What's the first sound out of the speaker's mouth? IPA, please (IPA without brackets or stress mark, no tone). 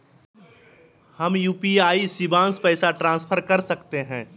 h